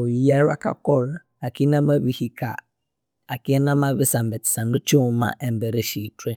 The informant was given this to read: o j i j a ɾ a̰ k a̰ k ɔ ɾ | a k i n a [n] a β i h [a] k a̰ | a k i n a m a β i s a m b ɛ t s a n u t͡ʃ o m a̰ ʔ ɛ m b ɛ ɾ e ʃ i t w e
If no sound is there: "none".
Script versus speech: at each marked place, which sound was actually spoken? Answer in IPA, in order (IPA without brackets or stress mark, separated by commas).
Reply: m, i